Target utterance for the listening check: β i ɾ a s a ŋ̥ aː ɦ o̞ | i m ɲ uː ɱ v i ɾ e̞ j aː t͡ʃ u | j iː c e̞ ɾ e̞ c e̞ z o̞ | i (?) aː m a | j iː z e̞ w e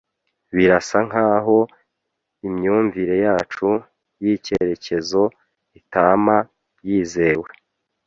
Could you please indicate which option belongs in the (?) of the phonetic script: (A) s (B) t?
B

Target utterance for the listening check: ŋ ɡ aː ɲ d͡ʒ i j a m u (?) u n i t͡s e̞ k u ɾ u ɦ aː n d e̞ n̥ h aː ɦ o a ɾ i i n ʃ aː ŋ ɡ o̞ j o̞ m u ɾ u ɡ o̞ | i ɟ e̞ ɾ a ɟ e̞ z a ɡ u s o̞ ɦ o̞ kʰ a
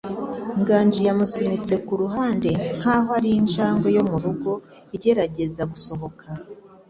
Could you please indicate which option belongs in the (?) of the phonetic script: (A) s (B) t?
A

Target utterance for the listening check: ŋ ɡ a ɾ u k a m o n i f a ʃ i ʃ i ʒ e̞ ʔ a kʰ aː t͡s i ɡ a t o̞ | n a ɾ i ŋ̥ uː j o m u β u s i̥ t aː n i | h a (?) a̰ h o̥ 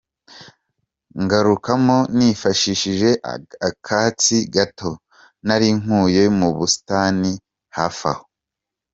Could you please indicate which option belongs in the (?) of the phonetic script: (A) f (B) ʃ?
A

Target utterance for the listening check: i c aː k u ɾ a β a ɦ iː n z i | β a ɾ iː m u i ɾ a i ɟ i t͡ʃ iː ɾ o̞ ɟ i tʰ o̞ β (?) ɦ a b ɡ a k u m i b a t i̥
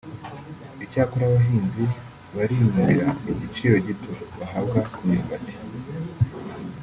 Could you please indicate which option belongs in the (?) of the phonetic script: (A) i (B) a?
B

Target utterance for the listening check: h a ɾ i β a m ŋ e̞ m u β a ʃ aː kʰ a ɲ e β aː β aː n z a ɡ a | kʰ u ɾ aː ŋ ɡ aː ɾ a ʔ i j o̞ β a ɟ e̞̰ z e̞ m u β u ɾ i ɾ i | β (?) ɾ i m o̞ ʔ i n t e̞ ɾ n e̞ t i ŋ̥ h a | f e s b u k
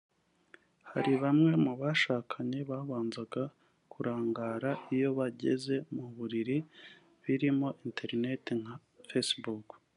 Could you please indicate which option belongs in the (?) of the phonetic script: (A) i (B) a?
A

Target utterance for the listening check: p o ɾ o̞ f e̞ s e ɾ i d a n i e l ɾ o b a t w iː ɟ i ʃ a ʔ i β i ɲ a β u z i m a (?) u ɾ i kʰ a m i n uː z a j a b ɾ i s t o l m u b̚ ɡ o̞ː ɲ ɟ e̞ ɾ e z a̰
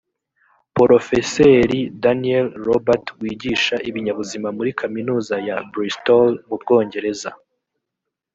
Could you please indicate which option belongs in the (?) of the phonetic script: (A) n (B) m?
B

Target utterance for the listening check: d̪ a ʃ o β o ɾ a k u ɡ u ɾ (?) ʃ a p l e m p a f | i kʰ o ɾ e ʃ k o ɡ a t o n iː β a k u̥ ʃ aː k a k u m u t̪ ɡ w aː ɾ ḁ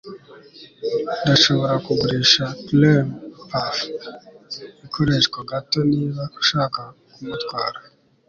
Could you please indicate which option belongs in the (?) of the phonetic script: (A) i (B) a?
A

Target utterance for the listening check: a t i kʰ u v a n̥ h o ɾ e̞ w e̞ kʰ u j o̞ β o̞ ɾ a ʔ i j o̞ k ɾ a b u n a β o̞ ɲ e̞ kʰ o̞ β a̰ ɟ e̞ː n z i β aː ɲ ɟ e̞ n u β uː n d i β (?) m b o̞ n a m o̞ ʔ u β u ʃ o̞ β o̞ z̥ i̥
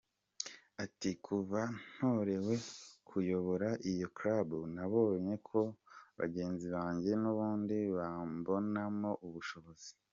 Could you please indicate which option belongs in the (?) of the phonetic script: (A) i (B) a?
B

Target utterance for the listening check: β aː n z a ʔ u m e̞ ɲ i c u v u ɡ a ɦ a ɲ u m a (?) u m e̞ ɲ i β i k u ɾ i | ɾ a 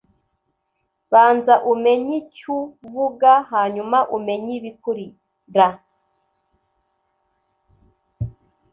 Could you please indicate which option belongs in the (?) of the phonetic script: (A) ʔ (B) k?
A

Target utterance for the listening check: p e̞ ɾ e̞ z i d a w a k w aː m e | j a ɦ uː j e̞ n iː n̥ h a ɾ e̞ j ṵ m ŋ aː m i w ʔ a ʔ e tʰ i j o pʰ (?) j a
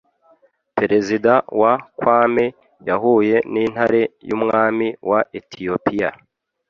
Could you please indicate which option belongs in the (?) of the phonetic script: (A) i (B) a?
A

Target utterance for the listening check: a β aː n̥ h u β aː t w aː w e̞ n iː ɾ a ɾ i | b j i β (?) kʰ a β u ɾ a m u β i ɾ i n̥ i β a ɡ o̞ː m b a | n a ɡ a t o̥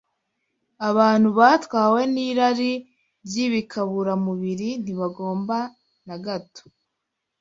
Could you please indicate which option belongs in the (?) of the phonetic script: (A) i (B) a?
A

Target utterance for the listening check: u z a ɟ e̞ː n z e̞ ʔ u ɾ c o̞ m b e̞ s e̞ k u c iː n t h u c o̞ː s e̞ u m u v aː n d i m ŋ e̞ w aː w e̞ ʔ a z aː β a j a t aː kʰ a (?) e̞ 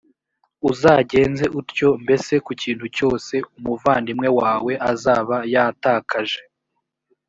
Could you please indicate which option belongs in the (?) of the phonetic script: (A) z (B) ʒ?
B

